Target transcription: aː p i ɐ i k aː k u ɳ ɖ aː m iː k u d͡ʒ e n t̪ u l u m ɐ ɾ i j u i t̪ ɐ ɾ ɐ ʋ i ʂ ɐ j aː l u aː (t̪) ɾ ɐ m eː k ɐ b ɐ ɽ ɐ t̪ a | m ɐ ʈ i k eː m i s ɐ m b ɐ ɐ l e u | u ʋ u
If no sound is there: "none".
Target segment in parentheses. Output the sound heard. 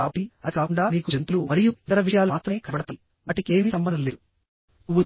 t̪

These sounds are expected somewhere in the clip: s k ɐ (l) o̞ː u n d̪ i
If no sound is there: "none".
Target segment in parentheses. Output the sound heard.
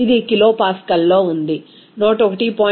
lː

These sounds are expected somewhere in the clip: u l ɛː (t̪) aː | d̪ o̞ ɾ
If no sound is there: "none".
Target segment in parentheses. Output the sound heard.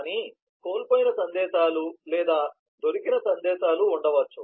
d̪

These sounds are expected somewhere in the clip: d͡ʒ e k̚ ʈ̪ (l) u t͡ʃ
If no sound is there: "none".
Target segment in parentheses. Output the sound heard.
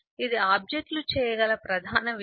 l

